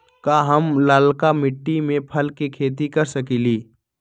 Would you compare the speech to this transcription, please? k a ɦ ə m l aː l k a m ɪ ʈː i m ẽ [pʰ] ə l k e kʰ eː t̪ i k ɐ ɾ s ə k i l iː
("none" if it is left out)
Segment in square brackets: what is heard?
pʰ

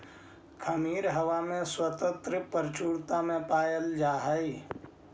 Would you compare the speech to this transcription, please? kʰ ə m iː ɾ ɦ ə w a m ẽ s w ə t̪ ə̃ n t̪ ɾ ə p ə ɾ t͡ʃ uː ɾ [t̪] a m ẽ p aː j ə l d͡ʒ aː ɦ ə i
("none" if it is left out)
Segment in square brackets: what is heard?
t̪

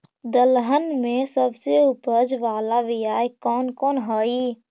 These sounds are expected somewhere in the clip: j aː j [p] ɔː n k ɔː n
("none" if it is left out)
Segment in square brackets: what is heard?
k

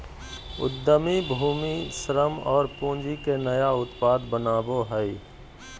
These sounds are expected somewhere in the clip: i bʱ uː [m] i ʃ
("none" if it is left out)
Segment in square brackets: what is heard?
m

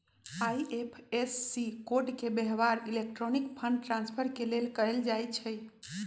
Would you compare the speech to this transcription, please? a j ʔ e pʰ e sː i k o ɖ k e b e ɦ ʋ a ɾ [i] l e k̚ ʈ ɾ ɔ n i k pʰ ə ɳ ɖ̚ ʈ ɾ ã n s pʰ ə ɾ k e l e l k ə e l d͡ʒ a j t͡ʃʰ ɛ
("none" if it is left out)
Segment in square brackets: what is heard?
i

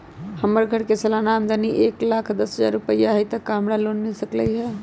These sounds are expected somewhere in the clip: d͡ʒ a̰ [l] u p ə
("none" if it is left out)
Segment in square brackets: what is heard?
ɾ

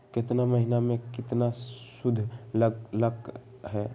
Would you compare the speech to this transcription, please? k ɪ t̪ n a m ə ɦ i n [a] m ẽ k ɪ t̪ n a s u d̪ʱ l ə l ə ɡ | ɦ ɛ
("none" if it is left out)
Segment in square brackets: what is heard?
a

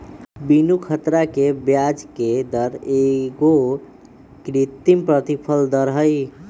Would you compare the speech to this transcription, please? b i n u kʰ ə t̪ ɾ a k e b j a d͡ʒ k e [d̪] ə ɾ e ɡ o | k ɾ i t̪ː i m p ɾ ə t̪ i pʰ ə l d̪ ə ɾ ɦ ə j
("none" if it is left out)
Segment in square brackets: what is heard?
d̪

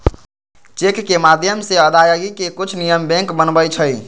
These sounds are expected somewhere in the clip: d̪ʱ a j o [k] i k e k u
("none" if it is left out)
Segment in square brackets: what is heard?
ɡ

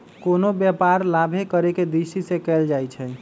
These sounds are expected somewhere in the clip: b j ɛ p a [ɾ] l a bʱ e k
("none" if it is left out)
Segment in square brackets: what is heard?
ɾ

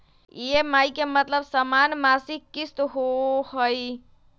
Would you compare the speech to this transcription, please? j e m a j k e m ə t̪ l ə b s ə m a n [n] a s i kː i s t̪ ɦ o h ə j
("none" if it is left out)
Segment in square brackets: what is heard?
m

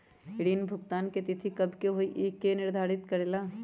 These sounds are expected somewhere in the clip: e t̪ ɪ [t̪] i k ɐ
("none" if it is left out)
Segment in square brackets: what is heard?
t̪ʰ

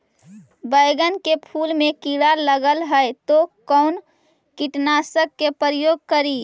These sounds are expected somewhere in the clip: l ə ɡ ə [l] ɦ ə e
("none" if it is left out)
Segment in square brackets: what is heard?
l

